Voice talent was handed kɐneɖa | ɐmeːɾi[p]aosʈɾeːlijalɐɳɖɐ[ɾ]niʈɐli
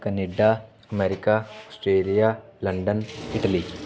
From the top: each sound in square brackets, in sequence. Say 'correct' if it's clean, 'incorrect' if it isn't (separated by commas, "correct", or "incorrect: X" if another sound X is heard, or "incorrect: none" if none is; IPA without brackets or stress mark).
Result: incorrect: k, incorrect: none